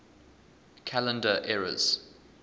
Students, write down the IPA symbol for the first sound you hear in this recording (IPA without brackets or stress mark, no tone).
kʰ